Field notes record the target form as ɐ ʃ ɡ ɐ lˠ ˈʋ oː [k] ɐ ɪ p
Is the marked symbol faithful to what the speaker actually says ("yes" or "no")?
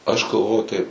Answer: no